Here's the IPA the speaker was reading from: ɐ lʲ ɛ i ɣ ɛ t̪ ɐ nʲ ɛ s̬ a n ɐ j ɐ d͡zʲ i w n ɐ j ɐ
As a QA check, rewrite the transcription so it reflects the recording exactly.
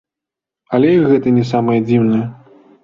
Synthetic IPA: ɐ lʲ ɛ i ɣ ɛ t̪ ɐ nʲ ɛ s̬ a m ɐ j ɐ d͡zʲ i w n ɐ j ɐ